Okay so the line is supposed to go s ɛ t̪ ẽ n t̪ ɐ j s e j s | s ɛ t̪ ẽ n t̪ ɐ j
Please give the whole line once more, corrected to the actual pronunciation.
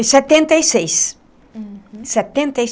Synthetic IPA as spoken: s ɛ t̪ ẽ n t̪ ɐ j s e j s | s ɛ t̪ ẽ n t̪ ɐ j